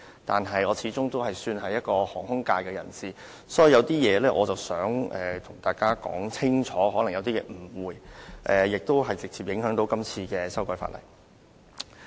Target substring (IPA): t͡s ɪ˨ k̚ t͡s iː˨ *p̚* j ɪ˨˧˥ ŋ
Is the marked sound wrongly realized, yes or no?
no